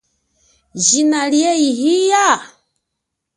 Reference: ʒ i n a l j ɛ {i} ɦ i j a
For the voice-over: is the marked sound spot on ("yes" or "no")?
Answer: yes